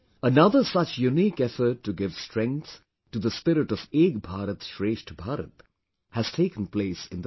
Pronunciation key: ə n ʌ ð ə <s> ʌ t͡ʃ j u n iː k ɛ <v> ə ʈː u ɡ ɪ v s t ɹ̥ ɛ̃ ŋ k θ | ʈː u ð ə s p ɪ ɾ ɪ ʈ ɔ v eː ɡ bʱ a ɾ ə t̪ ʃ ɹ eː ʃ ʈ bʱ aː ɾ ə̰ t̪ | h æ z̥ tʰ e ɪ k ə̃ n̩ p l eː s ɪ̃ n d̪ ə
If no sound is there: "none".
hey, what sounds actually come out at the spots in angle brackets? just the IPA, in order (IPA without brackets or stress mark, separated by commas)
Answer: s, f